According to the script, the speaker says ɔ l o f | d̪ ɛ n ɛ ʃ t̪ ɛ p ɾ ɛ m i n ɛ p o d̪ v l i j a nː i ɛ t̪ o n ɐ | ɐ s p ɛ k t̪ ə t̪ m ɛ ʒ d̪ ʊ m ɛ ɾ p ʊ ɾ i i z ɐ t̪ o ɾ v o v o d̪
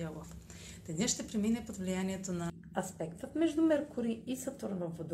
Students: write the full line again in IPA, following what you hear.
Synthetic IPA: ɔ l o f | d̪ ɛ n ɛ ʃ t̪ ɛ p ɾ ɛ m i n ɛ p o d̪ v l i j a n i ɛ t̪ o n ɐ | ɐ s p ɛ k t̪ ə t̪ m ɛ ʒ d̪ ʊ m ɛ ɾ k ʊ ɾ i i s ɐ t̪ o ɾ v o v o d̪